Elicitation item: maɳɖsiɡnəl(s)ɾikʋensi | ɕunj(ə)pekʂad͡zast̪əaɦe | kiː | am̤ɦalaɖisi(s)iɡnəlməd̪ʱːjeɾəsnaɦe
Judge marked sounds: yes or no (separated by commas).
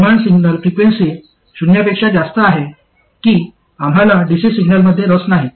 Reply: no, no, yes